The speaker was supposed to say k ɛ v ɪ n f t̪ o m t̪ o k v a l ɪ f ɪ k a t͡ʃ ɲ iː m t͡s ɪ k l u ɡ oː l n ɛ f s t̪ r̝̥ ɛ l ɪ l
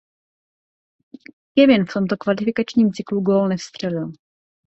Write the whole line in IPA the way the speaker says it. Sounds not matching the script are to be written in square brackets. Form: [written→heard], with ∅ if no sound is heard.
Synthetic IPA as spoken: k ɛ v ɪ n f t̪ o m t̪ o k v a l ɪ f ɪ k a t͡ʃ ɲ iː m t͡s ɪ k l u ɡ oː l n ɛ f s t̪ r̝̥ ɛ l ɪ l